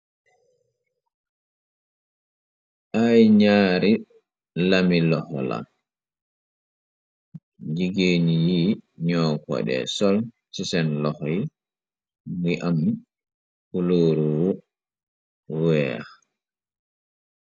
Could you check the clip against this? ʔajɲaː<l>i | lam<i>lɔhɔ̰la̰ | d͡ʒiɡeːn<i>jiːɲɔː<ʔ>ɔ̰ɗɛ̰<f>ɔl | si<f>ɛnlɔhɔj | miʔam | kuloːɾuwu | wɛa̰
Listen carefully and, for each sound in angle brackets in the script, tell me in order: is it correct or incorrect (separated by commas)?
incorrect, correct, correct, incorrect, incorrect, incorrect